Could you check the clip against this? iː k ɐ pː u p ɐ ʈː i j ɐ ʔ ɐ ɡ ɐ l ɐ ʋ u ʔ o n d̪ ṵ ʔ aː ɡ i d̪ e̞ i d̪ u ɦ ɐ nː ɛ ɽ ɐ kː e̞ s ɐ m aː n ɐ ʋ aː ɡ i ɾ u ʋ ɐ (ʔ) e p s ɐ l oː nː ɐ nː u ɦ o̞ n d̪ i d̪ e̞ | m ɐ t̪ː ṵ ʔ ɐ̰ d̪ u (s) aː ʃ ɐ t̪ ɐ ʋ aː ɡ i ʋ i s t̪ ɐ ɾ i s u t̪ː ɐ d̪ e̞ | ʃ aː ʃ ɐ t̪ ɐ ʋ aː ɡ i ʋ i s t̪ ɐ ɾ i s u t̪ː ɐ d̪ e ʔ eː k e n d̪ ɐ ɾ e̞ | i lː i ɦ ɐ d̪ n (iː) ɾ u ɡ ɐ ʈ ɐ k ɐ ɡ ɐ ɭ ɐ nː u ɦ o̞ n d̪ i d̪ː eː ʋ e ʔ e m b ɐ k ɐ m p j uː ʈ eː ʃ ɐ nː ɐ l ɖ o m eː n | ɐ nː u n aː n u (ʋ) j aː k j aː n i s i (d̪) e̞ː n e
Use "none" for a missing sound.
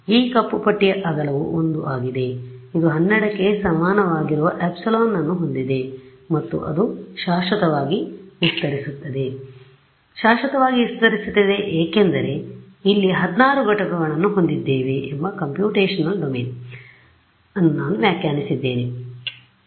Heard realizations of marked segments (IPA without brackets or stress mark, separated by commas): ʔ, ʃ, aː, ʋ, d̪ː